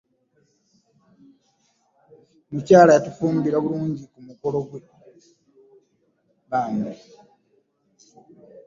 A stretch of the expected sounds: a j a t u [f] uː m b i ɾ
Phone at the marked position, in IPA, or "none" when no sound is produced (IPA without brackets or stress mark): f